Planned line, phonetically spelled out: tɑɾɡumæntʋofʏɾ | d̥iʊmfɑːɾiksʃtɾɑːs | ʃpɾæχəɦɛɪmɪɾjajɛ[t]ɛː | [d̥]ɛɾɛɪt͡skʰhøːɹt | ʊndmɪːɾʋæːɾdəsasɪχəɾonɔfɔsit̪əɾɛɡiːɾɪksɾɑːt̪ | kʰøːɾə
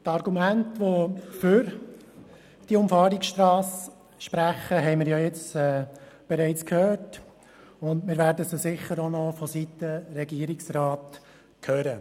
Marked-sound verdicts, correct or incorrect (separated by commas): incorrect, incorrect